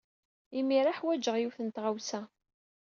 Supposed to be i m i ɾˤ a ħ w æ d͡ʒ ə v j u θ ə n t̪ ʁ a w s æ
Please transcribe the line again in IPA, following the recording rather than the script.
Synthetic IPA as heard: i m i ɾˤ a ħ w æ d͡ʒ ə ʁ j u θ ə n t̪ ʁ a w s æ